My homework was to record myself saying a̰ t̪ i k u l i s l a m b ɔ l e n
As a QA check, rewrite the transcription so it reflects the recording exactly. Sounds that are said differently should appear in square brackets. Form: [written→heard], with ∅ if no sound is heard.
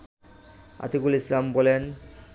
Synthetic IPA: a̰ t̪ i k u l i s l a m b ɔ l e n